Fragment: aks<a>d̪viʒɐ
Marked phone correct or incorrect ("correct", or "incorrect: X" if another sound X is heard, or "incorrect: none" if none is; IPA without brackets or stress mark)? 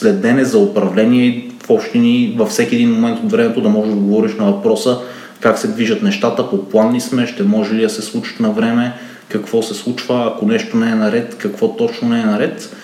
incorrect: ɛ